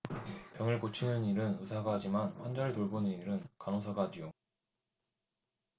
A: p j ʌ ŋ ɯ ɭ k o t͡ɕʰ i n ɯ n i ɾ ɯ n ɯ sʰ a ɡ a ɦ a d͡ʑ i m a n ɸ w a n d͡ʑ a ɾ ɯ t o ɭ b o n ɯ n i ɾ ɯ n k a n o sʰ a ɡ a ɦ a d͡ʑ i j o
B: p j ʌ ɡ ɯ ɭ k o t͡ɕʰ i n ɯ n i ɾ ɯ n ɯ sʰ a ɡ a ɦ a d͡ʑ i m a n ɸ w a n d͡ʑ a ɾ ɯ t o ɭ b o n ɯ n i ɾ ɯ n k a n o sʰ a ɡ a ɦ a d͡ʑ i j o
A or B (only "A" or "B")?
A